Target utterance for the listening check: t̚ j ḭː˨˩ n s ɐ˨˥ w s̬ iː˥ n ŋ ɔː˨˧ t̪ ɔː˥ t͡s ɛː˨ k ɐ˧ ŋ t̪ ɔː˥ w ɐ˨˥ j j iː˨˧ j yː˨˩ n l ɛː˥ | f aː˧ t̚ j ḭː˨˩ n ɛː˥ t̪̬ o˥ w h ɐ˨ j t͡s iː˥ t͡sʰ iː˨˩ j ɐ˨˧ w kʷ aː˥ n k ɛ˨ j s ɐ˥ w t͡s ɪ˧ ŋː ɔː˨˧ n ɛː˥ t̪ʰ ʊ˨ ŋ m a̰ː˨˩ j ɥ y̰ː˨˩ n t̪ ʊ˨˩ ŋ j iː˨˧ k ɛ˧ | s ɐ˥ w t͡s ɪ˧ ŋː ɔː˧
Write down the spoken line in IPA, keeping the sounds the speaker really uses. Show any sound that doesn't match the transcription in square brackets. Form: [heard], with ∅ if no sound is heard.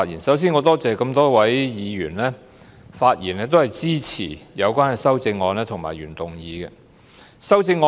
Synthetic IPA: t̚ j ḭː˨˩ n s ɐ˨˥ w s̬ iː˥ n ŋ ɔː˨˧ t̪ ɔː˥ t͡s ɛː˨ k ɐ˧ [m] t̪ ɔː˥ w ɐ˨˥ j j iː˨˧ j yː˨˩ n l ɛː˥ | f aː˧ t̚ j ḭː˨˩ n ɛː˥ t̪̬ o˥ w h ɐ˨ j t͡s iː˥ t͡sʰ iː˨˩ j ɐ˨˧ w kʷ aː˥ n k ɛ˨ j s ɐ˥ w t͡s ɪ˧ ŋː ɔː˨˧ n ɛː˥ t̪ʰ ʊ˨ ŋ m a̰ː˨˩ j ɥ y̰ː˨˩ n t̪ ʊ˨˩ ŋ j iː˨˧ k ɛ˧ | s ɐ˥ w t͡s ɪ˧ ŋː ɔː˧